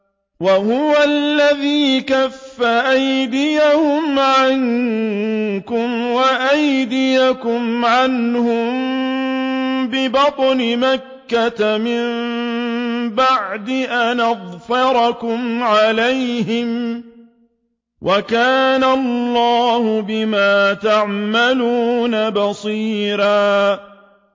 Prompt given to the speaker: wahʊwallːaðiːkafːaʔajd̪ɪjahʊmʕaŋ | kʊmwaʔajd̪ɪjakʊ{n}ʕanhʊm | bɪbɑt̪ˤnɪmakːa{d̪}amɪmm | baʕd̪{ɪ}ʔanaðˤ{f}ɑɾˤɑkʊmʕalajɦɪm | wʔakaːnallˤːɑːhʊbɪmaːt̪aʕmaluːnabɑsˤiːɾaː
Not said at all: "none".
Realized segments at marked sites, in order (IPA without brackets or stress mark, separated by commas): m, t̪, ɪ, f